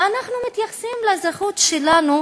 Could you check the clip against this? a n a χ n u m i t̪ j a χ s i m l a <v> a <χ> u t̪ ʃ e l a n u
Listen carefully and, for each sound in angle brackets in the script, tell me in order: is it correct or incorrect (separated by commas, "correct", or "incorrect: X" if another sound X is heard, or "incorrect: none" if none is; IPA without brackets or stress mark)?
incorrect: z, correct